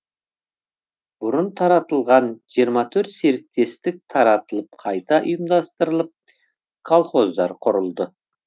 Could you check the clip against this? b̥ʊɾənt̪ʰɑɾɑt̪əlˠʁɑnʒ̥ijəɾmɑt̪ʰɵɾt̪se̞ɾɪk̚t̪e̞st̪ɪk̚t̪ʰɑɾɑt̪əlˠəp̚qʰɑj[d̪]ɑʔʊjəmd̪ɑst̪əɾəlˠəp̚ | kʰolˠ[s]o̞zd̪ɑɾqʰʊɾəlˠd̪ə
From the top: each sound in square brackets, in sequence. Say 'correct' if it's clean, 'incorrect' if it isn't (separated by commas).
incorrect, incorrect